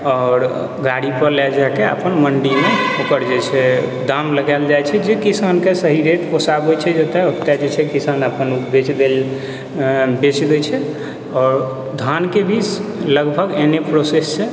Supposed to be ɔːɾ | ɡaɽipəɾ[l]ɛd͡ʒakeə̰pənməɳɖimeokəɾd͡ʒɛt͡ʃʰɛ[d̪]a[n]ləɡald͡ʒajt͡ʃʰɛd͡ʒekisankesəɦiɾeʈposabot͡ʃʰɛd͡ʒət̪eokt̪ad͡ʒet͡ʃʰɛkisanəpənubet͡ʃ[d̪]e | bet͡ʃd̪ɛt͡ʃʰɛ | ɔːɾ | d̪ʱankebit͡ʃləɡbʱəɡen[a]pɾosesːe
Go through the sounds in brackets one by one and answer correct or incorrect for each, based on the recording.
correct, correct, incorrect: m, correct, incorrect: e

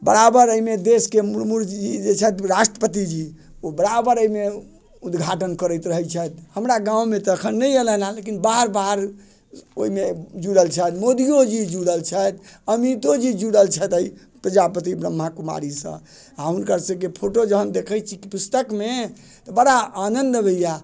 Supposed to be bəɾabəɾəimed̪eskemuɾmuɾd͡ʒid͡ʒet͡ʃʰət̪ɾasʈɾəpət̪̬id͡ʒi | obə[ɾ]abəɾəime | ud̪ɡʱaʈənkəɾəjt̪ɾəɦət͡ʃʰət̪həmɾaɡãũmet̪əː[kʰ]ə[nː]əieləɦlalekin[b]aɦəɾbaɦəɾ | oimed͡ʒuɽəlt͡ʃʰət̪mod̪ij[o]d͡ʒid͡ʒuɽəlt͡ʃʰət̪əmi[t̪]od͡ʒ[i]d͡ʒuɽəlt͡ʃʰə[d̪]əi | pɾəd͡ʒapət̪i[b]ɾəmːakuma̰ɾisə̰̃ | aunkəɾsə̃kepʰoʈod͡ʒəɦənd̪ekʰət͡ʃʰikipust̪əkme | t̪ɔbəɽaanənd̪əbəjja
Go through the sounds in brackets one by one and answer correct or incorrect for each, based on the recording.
correct, correct, correct, correct, correct, correct, correct, incorrect: t̪, correct

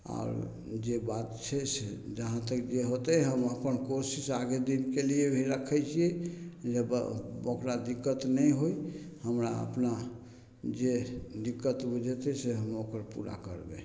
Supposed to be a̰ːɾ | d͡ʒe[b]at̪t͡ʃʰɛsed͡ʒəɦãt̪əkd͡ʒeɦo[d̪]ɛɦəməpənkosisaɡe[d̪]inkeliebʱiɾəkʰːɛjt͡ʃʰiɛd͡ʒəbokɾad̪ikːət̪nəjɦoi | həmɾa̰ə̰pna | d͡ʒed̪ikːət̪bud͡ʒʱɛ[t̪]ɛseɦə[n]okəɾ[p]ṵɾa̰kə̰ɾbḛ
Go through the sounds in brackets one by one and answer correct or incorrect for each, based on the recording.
correct, incorrect: t̪, correct, correct, incorrect: m, correct

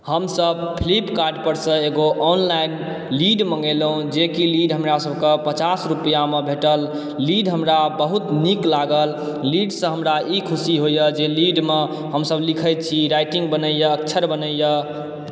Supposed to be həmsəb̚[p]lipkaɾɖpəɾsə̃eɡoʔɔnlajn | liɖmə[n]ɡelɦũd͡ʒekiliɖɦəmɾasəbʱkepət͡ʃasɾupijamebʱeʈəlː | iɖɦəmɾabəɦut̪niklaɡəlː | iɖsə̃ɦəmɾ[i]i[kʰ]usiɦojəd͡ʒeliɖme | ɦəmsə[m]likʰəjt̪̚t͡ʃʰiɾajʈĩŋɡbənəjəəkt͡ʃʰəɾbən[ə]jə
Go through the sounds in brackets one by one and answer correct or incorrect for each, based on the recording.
incorrect: pʰ, incorrect: ŋ, incorrect: a, correct, incorrect: b, correct

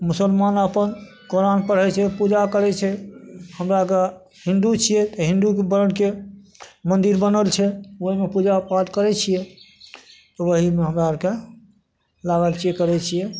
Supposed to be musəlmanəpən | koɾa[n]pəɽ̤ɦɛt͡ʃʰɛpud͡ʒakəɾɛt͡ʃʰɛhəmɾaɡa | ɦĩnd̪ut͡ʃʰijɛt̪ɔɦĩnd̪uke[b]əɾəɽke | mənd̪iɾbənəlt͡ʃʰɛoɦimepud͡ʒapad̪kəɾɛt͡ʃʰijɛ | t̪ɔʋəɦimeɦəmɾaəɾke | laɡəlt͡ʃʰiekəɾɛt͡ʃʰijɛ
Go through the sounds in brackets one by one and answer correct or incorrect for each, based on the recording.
correct, correct

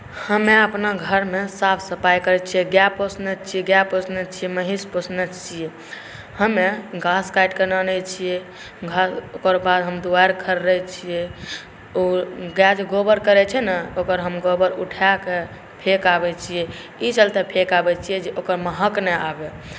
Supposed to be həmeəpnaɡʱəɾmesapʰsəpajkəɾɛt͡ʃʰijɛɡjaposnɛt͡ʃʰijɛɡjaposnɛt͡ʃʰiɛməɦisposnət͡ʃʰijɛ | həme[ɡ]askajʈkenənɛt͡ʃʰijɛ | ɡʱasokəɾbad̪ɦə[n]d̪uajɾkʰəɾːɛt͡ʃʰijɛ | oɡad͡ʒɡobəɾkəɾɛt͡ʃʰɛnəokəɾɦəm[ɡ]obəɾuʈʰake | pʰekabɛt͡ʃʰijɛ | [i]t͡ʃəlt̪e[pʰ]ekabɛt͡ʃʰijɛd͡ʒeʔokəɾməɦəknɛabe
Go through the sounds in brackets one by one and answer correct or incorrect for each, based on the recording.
correct, incorrect: m, correct, correct, correct

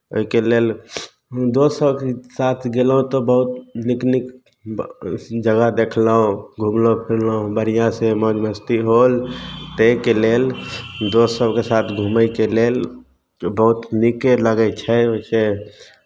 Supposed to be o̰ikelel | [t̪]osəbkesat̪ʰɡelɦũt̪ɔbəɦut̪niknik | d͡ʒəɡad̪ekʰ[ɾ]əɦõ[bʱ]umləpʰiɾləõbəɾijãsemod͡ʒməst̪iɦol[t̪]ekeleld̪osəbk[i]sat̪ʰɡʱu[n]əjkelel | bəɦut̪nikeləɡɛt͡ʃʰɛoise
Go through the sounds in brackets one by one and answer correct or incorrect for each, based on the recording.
incorrect: d̪, incorrect: l, incorrect: ɡʱ, correct, incorrect: e, incorrect: m

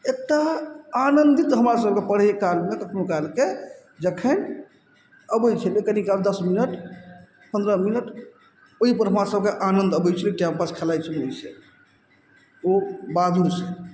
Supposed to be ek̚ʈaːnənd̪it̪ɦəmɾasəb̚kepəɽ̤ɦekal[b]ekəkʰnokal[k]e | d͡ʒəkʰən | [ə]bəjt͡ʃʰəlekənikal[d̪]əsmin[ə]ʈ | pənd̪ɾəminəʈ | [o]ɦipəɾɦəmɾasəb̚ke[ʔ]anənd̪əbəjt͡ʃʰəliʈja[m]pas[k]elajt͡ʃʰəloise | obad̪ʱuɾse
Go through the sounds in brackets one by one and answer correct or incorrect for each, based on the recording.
incorrect: m, correct, correct, correct, correct, correct, correct, correct, incorrect: kʰ

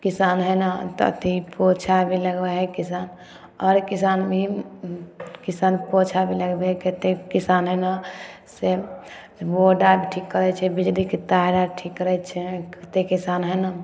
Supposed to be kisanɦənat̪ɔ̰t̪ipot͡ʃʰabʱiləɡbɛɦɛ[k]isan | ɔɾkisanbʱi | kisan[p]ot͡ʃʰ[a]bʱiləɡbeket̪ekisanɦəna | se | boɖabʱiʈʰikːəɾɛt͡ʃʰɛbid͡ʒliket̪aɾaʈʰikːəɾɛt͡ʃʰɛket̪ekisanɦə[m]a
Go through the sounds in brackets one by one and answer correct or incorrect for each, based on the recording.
correct, correct, correct, incorrect: n

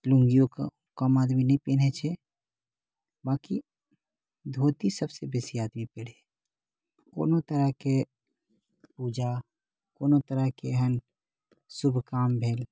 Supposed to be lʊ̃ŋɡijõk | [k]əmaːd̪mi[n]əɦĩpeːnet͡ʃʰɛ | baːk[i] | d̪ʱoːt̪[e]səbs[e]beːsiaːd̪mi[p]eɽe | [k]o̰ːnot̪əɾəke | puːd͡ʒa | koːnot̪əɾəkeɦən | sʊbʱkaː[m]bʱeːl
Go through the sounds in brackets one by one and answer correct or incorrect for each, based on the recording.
correct, correct, correct, incorrect: i, correct, correct, correct, correct

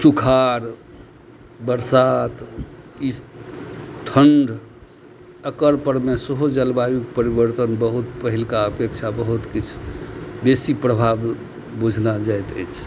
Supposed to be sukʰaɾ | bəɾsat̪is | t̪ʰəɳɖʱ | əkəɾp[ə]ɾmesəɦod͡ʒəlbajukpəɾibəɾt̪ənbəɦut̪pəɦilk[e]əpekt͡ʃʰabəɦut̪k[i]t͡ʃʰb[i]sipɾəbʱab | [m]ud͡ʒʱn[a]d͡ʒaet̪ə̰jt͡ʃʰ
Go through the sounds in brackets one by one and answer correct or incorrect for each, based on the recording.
correct, incorrect: a, correct, incorrect: e, incorrect: b, correct

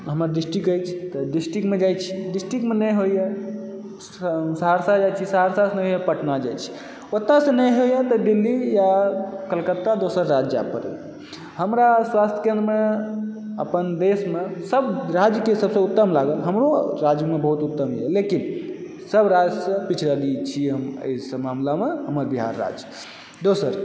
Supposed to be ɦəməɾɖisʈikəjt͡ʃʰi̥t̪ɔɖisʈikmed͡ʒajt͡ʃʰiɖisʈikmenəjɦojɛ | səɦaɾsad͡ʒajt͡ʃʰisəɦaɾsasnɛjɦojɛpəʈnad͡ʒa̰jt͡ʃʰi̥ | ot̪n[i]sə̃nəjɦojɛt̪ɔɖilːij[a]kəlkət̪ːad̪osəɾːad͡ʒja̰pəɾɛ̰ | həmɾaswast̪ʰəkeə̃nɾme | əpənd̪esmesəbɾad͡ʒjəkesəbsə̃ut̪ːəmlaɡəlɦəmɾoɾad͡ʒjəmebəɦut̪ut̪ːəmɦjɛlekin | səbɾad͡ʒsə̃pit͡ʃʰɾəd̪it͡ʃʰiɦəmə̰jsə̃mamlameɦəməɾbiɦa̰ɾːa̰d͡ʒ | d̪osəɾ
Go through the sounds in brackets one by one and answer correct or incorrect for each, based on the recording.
incorrect: a, correct

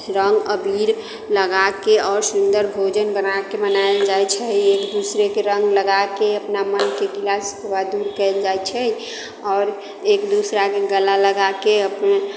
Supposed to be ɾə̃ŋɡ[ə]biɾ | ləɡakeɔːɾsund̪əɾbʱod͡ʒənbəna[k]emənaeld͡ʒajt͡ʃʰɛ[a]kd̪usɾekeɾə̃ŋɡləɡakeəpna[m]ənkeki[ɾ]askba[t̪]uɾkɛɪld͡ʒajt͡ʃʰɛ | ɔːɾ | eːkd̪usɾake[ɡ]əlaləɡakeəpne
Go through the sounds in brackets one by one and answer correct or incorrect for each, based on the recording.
correct, correct, incorrect: e, correct, incorrect: l, incorrect: d̪, correct

